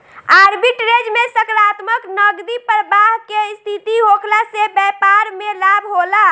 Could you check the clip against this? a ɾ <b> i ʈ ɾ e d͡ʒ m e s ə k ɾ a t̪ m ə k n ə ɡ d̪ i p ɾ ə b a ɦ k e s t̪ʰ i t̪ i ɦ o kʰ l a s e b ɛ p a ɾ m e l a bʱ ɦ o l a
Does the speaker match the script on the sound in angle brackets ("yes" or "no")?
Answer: yes